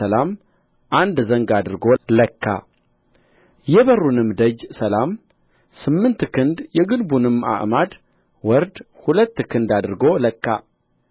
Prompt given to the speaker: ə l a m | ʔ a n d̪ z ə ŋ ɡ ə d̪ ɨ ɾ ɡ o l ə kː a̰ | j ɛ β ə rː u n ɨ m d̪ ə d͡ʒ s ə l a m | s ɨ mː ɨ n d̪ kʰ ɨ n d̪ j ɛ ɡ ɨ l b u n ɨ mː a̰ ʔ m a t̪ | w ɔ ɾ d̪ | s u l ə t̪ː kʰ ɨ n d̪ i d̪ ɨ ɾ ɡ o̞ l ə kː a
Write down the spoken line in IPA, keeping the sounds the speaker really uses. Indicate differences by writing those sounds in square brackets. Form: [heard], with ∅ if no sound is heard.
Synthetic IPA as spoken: ə l a m | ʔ a n d̪ z ə ŋ ɡ [a] d̪ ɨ ɾ ɡ o l ə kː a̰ | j ɛ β ə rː u n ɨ m d̪ ə d͡ʒ s ə l a m | s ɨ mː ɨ n [t̪] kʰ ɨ n d̪ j ɛ ɡ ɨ l b u n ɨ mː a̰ ʔ m a [d̪] | w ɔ ɾ d̪ | [h] u l ə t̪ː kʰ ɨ n d̪ [a] d̪ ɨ ɾ ɡ o̞ l ə kː a